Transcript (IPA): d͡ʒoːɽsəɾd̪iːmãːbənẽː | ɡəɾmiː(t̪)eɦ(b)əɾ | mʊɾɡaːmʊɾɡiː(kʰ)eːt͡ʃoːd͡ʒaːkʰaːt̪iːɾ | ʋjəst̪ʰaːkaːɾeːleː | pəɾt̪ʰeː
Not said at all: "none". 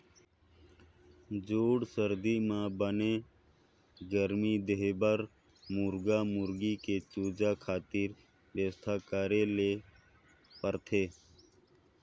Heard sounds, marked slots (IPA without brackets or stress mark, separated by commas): d̪, b, k